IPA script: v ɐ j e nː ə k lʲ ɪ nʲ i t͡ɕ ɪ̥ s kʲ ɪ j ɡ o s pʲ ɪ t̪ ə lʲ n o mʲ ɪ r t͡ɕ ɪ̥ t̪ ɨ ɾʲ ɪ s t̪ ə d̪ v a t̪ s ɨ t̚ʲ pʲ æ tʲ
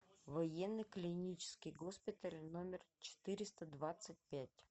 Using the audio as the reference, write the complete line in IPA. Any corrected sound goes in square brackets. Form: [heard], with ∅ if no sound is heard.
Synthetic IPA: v ɐ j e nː ə k lʲ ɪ nʲ i t͡ɕ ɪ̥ s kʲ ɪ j ɡ o s pʲ ɪ t̪ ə lʲ n o mʲ ɪ r t͡ɕ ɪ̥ t̪ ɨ ɾʲ ɪ s t̪ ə d̪ v a t̪ s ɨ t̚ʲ pʲ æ tʲ